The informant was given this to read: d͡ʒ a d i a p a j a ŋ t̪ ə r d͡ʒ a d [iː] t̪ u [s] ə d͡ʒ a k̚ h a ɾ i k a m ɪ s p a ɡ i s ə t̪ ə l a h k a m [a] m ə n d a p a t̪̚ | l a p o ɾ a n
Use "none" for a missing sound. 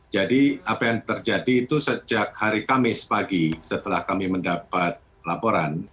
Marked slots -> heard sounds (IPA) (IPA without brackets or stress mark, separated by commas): iː, s, i